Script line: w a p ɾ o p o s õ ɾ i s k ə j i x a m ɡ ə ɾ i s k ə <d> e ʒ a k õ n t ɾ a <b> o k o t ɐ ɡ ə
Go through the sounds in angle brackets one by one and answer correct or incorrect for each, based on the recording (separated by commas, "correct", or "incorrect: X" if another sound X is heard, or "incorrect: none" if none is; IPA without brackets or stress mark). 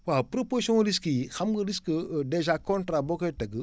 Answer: correct, correct